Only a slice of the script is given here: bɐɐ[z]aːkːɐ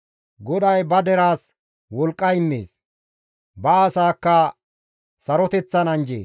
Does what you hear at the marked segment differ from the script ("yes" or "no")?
yes